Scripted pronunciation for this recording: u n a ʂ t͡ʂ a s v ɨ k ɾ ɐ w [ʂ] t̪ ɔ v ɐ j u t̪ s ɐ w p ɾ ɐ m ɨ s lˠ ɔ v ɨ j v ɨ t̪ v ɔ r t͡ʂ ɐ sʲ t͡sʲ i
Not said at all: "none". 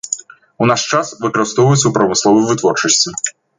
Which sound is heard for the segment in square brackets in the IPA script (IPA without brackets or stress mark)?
s